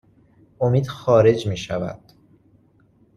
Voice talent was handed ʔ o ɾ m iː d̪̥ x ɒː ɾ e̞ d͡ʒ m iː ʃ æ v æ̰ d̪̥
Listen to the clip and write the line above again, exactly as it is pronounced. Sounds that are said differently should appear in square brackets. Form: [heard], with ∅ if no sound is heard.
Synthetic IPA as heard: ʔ o [∅] m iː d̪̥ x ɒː ɾ e̞ d͡ʒ m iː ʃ æ v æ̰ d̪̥